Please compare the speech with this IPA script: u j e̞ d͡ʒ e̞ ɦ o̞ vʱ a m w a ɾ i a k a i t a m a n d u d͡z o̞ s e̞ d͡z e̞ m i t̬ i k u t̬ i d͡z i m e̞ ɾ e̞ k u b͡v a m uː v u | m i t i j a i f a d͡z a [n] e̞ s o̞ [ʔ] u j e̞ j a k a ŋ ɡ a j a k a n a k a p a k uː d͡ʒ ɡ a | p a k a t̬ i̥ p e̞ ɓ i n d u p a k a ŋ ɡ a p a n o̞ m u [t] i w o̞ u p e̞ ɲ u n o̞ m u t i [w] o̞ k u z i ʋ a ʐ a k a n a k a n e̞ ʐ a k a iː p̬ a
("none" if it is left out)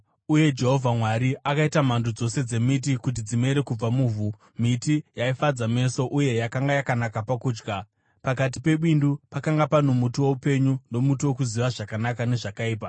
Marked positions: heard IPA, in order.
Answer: m, ʔ, t, w

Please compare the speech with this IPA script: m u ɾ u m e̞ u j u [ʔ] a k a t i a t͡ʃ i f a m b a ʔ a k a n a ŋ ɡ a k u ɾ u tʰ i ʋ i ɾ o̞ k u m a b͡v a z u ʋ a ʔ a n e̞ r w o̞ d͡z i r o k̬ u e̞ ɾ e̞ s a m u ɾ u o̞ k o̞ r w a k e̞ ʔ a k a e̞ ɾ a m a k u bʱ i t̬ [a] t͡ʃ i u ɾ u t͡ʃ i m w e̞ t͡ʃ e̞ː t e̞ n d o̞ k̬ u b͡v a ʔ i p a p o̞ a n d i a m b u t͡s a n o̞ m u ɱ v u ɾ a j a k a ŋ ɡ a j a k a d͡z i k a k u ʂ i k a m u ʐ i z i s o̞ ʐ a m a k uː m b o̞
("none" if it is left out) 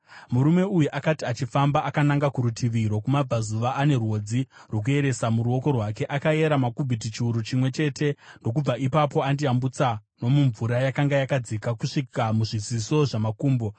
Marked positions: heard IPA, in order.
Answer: ʔ, i

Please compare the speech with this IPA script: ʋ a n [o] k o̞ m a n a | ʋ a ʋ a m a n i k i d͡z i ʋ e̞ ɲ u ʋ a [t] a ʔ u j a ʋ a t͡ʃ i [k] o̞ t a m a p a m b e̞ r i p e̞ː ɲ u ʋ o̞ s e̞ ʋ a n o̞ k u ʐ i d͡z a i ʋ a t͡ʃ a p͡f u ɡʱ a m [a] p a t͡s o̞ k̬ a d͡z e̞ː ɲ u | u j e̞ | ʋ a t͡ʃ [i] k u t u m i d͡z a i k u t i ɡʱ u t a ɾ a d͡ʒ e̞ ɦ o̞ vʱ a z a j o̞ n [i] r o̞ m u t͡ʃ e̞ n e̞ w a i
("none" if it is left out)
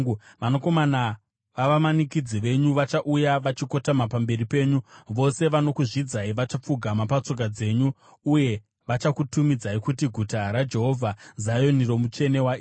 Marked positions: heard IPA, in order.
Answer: o, t͡ʃ, k, a, a, i

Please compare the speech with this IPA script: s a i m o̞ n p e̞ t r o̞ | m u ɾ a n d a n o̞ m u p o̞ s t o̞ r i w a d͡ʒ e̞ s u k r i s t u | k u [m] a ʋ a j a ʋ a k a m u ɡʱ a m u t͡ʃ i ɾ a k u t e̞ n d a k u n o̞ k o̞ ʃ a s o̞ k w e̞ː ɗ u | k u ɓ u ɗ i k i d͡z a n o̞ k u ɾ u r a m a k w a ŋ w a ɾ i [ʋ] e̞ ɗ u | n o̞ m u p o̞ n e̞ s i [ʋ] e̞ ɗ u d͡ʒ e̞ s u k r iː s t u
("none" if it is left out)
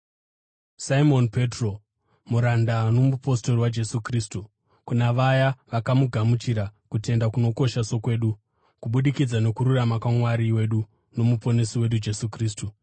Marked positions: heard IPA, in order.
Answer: n, w, w

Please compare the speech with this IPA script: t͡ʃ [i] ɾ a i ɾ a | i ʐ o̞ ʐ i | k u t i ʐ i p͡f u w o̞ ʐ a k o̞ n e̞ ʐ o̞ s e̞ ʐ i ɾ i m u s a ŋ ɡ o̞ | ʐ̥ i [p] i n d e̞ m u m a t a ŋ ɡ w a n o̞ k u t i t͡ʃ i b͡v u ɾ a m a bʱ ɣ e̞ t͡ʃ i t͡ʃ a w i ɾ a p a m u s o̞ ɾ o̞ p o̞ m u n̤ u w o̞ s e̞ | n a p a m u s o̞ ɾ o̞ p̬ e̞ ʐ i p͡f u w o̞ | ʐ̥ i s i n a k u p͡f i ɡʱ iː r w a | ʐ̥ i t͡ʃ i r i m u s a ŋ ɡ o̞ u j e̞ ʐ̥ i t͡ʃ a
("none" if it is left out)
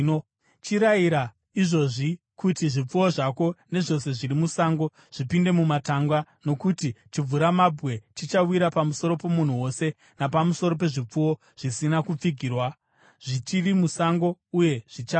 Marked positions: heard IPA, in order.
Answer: i, p

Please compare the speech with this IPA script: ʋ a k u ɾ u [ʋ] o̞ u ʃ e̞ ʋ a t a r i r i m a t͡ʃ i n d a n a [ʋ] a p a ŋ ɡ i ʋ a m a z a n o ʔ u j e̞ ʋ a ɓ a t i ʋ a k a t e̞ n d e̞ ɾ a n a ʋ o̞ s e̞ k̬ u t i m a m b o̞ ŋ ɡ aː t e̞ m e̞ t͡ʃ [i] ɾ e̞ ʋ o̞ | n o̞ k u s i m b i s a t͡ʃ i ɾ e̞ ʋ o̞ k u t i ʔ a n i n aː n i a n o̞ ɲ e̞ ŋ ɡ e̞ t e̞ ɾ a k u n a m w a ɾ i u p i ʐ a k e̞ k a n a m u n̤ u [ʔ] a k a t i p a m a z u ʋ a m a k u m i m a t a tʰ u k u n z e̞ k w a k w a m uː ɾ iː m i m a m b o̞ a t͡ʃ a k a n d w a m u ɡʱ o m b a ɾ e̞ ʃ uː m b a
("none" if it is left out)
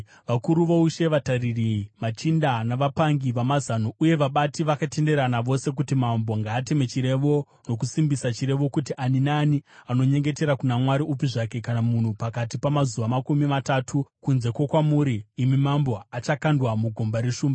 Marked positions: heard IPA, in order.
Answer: ʋ, ʋ, i, p

